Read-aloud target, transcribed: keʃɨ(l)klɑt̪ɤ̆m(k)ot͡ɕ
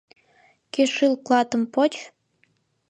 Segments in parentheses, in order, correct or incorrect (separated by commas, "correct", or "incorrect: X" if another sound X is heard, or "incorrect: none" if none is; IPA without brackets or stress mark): correct, incorrect: p